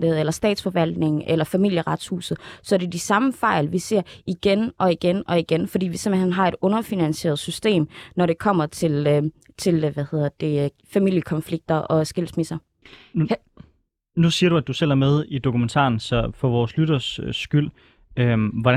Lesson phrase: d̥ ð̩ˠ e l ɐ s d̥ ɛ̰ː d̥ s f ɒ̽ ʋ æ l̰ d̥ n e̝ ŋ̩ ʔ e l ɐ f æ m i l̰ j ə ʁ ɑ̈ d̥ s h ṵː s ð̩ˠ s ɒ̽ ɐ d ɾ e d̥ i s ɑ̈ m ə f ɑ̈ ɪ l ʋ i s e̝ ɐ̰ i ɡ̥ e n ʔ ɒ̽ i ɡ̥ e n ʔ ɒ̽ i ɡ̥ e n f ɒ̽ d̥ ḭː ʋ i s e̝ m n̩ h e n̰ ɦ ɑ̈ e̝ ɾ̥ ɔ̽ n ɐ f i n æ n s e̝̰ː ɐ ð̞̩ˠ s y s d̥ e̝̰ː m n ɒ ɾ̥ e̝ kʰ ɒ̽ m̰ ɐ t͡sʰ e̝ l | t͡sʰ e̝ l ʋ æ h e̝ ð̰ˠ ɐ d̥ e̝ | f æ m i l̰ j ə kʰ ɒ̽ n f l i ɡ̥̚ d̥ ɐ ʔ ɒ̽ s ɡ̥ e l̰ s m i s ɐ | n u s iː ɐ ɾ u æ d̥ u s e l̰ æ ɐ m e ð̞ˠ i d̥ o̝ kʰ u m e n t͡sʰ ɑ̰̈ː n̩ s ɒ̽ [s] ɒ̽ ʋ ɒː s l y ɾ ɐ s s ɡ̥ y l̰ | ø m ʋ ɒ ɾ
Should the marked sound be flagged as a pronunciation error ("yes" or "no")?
yes